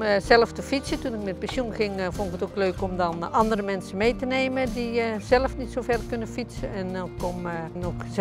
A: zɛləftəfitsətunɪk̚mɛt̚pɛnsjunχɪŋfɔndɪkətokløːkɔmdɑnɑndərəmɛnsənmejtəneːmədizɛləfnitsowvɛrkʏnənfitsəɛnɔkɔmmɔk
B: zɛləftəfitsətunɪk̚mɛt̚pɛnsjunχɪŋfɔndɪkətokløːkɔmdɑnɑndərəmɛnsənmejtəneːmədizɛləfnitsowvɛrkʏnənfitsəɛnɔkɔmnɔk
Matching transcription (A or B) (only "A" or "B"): B